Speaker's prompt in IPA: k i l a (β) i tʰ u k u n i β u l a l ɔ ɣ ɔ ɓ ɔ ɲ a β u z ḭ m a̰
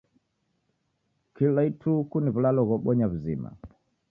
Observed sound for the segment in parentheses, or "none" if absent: none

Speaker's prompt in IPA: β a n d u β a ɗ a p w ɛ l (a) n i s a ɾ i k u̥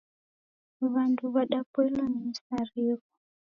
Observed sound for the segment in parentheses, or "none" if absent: a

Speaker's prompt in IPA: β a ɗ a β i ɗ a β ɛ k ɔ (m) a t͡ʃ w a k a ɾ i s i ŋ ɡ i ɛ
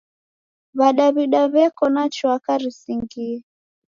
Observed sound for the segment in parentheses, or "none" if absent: n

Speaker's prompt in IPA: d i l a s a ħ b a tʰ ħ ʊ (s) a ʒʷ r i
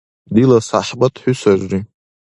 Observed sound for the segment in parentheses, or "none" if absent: s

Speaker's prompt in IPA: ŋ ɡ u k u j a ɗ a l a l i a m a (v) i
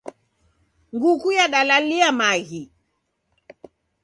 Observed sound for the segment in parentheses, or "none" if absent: ɣ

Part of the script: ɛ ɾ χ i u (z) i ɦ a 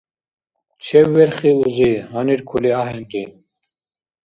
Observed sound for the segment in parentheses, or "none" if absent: z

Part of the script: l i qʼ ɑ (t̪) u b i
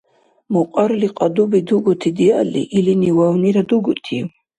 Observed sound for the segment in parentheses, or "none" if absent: d̪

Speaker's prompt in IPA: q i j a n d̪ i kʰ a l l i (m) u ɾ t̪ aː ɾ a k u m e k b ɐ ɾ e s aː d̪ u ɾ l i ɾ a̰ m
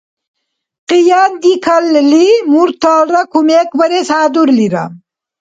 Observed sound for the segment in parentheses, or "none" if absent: m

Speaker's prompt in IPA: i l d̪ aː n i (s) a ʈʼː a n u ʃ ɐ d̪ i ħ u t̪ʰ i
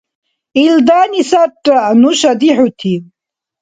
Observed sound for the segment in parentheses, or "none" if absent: s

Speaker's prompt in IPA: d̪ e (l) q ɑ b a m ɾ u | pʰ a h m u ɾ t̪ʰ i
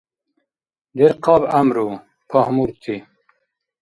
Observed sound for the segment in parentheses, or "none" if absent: ɾ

